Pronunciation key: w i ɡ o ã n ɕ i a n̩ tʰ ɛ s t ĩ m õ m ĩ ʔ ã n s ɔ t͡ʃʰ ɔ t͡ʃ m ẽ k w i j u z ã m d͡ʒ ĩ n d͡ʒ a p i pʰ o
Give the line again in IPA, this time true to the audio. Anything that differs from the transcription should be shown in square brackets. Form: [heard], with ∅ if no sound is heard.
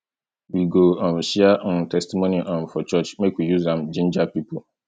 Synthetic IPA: w i ɡ o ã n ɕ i a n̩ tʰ ɛ s t [i] m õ [n] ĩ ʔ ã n [f] ɔ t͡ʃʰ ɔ t͡ʃ m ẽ k w i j u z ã m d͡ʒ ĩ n d͡ʒ a p i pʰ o